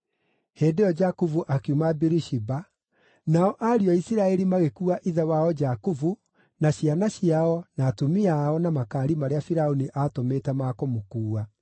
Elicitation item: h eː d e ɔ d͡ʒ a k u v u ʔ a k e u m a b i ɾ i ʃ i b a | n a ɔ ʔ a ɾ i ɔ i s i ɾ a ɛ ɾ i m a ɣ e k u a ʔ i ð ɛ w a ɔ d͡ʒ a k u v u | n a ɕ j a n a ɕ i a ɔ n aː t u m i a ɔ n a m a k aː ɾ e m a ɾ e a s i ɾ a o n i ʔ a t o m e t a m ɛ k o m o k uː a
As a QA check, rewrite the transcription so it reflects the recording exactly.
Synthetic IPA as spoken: h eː d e ɔ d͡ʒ a k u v u ʔ a k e u m a b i ɾ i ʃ i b a | n a ɔ ʔ a ɾ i ɔ i s i ɾ a ɛ ɾ i m a ɣ e k u a ʔ i ð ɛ w a ɔ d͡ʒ a k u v u | n a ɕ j a n a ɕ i a ɔ n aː t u m i a ɔ n a m a k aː ɾ i m a ɾ e a f i ɾ a o n i ʔ a t o m e t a m a k o m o k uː a